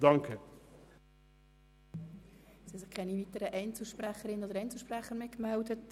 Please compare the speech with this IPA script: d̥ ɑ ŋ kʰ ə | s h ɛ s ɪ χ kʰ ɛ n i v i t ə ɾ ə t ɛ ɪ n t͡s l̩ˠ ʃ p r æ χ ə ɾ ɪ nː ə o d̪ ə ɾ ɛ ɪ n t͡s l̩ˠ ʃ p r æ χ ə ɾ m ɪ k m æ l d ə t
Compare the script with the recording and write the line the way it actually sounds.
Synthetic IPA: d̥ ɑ ŋ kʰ ə | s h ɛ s ɪ χ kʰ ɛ n i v i t ə ɾ ə ʔ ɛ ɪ n t͡s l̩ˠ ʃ p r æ χ ə ɾ ɪ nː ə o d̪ ə ɾ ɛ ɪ n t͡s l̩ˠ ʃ p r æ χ ə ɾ m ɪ k m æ l d ə t